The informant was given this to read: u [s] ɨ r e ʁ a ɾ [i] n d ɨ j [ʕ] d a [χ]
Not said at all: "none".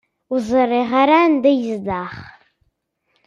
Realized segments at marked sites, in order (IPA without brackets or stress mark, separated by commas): z, a, z, χ